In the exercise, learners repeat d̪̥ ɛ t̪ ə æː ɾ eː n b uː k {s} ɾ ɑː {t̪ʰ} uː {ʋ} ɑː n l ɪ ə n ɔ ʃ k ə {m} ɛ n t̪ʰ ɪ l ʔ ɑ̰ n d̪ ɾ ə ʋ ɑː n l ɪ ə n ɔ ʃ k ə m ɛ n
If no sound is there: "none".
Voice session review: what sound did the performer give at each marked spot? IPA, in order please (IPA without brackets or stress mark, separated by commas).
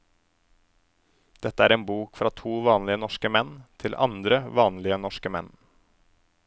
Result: f, t̪ʰ, ʋ, m